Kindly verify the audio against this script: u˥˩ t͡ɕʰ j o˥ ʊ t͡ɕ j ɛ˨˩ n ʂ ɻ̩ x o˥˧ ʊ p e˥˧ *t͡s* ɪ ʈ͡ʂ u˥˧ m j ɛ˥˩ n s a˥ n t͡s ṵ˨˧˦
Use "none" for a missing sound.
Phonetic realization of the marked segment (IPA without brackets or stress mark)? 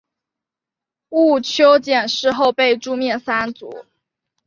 none